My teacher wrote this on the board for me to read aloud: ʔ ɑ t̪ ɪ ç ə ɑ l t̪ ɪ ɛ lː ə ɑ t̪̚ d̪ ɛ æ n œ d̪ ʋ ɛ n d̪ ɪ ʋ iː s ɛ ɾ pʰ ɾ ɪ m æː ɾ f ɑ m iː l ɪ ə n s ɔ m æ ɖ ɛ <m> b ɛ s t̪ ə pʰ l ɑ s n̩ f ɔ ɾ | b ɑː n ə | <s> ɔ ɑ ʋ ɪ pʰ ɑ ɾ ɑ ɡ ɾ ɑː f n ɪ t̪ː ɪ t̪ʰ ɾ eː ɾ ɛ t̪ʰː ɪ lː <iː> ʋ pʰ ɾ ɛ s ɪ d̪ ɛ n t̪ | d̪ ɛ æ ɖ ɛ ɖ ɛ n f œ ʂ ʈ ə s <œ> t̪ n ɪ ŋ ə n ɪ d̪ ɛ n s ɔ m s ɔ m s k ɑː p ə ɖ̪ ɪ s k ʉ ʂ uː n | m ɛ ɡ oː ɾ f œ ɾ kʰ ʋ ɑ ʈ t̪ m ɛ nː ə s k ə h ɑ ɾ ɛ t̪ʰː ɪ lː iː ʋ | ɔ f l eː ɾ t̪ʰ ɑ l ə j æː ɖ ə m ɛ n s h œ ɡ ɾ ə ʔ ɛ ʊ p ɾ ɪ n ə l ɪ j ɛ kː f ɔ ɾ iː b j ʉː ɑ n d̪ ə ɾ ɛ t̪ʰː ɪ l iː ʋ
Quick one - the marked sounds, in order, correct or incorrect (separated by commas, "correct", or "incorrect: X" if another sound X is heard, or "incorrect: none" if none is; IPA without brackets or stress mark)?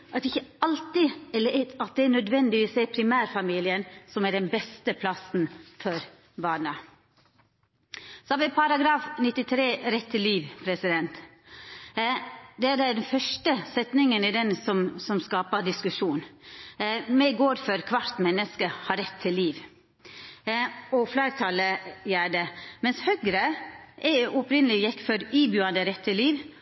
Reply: incorrect: n, correct, correct, incorrect: ɛ